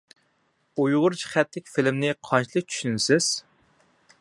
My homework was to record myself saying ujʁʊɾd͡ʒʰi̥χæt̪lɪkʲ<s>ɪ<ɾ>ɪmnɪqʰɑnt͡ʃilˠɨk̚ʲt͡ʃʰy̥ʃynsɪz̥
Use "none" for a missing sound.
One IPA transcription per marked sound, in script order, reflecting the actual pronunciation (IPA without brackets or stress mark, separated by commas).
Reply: f, l